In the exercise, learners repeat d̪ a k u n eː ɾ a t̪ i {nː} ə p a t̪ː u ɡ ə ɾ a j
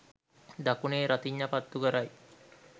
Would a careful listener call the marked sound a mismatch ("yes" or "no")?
yes